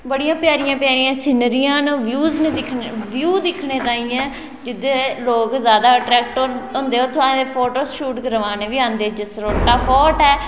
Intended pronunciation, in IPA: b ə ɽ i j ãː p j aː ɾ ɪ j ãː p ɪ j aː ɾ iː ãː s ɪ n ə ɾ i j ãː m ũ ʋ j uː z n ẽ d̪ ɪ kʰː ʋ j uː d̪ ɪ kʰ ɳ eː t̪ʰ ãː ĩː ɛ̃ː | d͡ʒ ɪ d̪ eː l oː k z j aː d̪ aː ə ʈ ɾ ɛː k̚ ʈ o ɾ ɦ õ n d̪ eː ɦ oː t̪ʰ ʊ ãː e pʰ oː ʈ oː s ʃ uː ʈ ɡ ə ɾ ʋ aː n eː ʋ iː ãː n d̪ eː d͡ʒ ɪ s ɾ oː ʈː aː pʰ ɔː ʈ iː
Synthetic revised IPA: b ə ɽ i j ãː p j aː ɾ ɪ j ãː p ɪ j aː ɾ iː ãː s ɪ n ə ɾ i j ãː n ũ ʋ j uː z n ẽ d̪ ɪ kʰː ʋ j uː d̪ ɪ kʰ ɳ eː t̪ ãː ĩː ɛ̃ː | d͡ʒ ɪ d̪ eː l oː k z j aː d̪ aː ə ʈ ɾ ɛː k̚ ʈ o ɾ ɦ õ n d̪ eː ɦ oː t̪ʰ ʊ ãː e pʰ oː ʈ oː s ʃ uː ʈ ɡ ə ɾ ʋ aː n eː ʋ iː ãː n d̪ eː d͡ʒ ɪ s ɾ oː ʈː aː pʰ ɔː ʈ ɛː

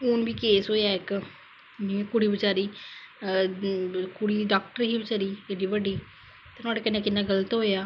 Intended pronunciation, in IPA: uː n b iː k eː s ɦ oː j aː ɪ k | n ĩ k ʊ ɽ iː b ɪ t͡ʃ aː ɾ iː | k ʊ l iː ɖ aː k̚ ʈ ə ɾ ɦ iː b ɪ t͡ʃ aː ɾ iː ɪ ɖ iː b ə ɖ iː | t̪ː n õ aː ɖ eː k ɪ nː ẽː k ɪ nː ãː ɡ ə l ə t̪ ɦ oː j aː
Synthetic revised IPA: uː n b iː k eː s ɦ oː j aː ɪ k | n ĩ k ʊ ɽ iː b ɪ t͡ʃ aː ɾ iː | k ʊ ɽ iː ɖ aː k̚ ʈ ə ɾ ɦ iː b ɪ t͡ʃ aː ɾ iː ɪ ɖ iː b ə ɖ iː | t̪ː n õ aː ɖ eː k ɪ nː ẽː k ɪ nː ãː ɡ ə l ə t̪ ɦ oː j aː

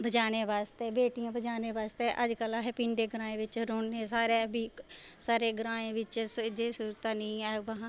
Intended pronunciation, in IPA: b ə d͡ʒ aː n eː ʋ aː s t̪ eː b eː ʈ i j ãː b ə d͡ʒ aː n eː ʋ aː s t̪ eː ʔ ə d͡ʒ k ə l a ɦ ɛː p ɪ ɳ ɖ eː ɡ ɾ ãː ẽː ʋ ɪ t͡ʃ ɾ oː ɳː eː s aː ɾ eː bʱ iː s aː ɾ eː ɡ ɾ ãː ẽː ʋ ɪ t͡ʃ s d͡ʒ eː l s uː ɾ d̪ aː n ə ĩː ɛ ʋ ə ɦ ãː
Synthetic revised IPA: b ə d͡ʒ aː n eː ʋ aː s t̪ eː b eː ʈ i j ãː b ə d͡ʒ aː n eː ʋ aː s t̪ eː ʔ ə d͡ʒ k ə l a ɦ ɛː p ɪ ɳ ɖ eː ɡ ɾ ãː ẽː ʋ ɪ t͡ʃ ɾ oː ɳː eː s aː ɾ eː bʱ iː s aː ɾ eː ɡ ɾ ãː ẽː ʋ ɪ t͡ʃ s d͡ʒ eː s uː ɾ t̪ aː n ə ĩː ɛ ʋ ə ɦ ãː

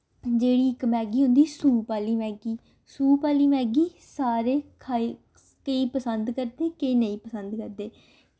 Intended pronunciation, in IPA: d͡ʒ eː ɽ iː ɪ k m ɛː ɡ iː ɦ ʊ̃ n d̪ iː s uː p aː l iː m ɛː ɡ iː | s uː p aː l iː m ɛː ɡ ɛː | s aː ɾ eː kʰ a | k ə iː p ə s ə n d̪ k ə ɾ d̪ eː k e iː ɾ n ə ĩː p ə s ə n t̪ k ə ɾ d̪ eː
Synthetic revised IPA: d͡ʒ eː ɽ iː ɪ k m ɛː ɡ iː ɦ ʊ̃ n d̪ iː s uː p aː l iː m ɛː ɡ iː | s uː p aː l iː m ɛː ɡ iː | s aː ɾ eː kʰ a | k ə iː p ə s ə n d̪ k ə ɾ d̪ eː k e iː n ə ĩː p ə s ə n d̪ k ə ɾ d̪ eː

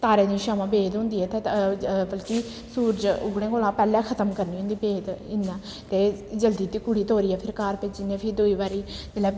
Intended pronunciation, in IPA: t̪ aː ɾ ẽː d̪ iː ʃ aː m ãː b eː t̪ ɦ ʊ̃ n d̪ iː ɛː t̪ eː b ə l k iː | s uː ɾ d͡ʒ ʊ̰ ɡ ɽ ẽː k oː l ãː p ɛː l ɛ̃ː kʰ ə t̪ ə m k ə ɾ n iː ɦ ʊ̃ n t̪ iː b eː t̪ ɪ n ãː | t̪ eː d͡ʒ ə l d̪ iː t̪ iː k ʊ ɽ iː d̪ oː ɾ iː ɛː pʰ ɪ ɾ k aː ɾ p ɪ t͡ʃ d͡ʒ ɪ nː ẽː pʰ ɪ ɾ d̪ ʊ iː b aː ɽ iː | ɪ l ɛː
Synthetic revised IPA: t̪ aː ɾ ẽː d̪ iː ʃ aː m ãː b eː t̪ ɦ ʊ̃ n d̪ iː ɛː t̪ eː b ə l k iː | s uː ɾ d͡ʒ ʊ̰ ɡ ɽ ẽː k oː l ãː p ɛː l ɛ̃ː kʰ ə t̪ ə m k ə ɾ n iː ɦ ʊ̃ n d̪ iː b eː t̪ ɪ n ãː | t̪ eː d͡ʒ ə l d̪ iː t̪ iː k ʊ ɽ iː t̪ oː ɾ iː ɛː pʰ ɪ ɾ k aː ɾ p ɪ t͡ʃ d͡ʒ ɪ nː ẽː pʰ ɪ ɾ d̪ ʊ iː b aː ɾ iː | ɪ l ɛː

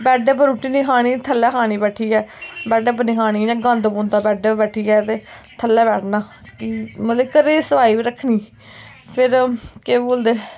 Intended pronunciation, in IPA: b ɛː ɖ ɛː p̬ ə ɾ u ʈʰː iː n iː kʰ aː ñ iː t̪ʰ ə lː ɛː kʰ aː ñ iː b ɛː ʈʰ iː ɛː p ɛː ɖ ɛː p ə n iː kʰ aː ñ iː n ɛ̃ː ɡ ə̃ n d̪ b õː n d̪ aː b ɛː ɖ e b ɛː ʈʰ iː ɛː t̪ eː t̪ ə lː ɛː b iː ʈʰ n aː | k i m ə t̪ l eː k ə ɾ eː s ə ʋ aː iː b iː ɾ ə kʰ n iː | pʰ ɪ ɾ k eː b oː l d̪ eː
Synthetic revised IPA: b ɛː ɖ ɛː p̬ ə ɾ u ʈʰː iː n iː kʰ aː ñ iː t̪ʰ ə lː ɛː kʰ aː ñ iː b ɛː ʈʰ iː ɛː b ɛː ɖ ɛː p ə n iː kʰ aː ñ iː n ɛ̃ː ɡ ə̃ n d̪ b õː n d̪ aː b ɛː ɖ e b ɛː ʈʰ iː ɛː t̪ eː t̪ʰ ə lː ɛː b ɛː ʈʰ n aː | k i m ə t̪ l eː k ə ɾ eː s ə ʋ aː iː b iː ɾ ə kʰ n iː | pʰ ɪ ɾ k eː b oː l d̪ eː

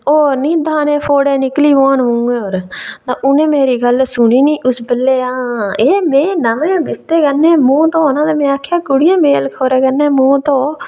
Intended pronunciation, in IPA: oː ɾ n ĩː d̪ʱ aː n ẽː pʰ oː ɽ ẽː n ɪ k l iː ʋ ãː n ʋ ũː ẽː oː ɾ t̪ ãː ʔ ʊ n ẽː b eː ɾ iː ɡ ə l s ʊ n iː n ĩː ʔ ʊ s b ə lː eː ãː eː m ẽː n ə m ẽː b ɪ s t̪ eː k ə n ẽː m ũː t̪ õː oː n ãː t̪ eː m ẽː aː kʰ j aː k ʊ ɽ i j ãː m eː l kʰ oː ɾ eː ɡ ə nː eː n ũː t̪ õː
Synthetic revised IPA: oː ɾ n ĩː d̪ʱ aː n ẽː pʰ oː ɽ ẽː n ɪ k l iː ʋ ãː n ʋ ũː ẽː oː ɾ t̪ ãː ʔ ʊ n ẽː m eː ɾ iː ɡ ə l s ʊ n iː n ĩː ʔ ʊ s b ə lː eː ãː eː m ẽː n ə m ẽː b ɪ s t̪ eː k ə n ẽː m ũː t̪ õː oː n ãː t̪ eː m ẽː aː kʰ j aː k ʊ ɽ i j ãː m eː l kʰ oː ɾ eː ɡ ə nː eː m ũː t̪ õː

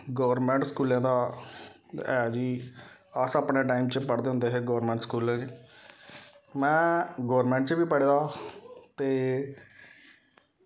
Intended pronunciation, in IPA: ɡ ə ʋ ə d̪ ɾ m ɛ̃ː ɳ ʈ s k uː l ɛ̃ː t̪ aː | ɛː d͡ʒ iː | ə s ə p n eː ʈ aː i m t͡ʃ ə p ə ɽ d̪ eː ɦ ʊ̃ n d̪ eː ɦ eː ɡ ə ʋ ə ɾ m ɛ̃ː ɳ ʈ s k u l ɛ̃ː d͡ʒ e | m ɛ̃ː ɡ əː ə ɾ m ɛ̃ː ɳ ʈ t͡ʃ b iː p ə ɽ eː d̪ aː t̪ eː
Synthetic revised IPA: ɡ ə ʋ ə ɾ m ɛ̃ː ɳ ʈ s k uː l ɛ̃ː d̪ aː | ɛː d͡ʒ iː | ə s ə p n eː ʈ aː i m t͡ʃ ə p ə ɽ d̪ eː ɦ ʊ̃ n d̪ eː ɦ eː ɡ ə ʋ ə ɾ m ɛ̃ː ɳ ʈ s k uː l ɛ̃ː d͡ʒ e | m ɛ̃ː ɡ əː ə ɾ m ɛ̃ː ɳ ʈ t͡ʃ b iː p ə ɽ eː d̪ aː t̪ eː

